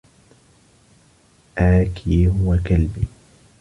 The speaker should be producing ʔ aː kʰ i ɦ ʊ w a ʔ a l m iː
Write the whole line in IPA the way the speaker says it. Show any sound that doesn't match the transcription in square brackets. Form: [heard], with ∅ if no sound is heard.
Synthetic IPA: ʔ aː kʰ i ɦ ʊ w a [k] a l [b] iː